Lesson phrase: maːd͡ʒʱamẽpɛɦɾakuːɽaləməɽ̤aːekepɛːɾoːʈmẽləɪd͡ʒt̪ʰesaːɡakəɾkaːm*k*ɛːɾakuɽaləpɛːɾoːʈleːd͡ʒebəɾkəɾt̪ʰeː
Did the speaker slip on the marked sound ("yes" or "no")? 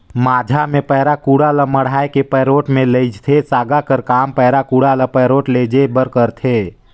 yes